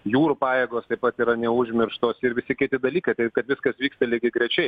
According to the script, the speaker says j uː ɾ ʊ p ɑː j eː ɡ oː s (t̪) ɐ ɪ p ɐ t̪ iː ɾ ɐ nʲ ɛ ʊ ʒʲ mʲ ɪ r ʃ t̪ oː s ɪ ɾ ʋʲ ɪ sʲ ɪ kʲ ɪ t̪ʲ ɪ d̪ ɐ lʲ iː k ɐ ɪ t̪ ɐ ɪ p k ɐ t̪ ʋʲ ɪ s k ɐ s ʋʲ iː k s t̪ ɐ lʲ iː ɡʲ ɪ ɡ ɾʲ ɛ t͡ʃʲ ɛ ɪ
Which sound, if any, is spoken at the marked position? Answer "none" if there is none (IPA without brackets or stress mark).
t̪